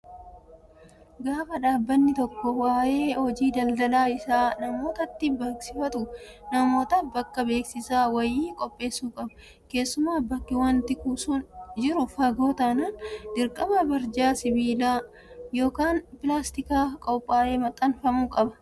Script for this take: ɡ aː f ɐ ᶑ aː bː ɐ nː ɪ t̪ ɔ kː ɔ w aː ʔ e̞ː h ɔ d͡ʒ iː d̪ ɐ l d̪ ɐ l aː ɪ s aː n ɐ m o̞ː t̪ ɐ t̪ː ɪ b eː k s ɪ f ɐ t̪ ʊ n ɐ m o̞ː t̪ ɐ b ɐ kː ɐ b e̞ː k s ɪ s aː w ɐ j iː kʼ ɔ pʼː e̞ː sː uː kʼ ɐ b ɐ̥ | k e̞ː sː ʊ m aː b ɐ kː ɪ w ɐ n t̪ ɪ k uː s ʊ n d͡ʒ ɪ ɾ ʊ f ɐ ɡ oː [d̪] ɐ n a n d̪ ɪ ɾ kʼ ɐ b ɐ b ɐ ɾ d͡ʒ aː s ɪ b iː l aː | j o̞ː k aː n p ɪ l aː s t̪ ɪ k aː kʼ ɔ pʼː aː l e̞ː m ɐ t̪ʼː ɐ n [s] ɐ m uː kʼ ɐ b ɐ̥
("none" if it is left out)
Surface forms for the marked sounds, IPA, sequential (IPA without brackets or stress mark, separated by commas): t̪, f